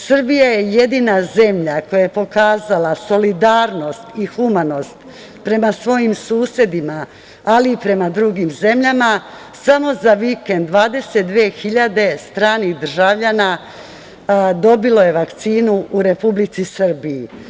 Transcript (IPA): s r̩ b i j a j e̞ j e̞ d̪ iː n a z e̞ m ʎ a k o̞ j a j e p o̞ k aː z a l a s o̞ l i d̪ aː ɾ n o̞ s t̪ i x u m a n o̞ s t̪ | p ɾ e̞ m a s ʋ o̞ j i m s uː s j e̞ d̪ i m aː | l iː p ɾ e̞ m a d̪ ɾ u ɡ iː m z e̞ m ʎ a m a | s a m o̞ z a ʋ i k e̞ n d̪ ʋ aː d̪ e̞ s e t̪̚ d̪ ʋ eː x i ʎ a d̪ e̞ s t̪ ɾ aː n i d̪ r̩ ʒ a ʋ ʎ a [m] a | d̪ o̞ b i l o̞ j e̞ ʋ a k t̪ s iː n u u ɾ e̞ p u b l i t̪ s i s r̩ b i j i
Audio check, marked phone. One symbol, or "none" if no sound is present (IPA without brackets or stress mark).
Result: n